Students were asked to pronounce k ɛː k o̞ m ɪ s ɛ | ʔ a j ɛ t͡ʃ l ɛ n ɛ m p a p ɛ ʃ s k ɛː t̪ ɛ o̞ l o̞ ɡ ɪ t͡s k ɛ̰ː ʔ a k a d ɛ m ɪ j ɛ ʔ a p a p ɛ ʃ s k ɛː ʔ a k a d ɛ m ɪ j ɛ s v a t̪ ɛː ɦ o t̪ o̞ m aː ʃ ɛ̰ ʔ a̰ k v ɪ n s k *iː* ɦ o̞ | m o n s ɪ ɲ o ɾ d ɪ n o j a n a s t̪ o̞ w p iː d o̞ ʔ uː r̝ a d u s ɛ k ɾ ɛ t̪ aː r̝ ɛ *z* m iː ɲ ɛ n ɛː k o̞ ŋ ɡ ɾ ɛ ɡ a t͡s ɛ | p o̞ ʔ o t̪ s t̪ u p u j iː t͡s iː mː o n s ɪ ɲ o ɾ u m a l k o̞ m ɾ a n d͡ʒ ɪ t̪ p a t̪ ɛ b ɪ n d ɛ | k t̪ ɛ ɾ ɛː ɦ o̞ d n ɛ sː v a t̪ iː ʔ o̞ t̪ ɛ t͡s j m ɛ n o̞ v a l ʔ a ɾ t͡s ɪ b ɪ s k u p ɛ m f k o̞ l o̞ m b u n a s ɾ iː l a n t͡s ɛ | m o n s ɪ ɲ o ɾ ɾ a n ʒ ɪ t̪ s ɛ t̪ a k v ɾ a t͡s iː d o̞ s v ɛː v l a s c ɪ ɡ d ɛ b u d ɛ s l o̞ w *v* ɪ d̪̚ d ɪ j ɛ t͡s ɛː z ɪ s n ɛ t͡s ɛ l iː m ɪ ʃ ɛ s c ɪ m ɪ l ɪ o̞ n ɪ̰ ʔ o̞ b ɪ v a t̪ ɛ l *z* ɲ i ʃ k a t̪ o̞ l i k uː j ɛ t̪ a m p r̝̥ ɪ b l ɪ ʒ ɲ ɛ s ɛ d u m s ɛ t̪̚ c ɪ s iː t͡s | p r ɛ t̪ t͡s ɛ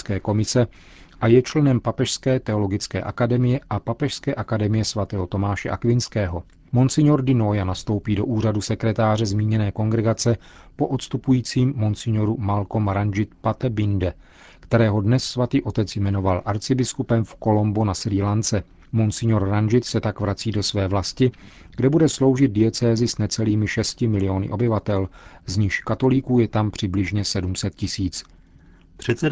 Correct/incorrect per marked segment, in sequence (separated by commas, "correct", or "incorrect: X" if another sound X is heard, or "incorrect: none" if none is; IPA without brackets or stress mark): incorrect: ɛː, correct, incorrect: ʒ, correct